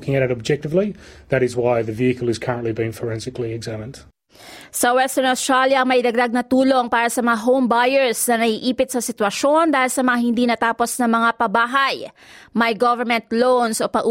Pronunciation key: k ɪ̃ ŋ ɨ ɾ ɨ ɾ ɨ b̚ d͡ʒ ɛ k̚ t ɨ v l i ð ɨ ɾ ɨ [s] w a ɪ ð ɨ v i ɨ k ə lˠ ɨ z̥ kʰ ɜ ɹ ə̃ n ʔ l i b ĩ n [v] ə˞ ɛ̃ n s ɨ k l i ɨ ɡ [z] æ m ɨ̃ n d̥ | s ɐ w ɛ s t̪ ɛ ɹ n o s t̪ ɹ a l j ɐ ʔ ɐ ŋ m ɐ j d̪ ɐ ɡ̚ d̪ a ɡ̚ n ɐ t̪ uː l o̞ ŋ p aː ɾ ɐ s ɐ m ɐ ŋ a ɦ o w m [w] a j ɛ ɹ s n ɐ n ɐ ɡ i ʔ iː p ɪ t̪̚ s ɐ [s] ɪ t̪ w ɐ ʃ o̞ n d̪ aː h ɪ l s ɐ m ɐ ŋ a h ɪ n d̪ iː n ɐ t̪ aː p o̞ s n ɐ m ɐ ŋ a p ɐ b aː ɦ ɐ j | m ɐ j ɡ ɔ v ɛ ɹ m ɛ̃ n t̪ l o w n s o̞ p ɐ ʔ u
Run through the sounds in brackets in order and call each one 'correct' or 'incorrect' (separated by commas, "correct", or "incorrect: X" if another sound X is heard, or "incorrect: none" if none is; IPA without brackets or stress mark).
incorrect: z, incorrect: f, correct, incorrect: b, correct